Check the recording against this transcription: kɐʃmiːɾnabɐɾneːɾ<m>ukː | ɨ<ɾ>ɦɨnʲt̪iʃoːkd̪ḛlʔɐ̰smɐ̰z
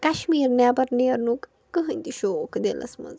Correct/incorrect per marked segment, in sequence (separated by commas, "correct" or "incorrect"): incorrect, incorrect